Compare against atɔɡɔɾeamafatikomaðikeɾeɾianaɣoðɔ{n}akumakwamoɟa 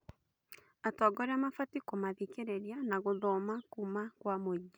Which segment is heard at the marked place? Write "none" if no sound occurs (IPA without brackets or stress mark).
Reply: m